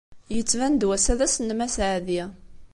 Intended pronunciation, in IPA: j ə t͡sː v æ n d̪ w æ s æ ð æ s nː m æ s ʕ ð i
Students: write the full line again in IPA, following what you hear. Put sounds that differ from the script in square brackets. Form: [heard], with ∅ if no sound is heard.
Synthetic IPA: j ə t͡sː v æ n d̪ w æ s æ ð æ s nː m æ s ʕ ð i